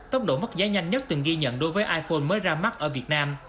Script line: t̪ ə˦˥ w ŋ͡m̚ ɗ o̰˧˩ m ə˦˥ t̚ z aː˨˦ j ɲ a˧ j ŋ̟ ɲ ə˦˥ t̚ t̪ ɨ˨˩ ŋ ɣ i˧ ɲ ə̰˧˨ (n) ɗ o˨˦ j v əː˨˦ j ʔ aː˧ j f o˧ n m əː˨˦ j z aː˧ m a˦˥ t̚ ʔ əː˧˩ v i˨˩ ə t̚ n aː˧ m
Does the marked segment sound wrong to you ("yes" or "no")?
no